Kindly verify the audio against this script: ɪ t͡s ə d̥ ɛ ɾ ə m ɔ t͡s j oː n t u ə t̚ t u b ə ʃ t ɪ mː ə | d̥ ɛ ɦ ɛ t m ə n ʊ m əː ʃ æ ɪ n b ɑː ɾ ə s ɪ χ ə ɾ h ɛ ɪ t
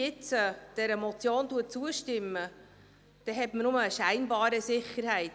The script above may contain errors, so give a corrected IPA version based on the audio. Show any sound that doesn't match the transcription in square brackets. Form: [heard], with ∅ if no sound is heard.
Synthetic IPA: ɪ t͡s ə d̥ ɛ ɾ ə m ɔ t͡s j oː n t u ə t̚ [t͡s] u [∅] ə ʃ t ɪ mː ə | d̥ ɛ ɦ ɛ t m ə n ʊ m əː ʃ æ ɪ n b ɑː ɾ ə s ɪ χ ə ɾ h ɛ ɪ t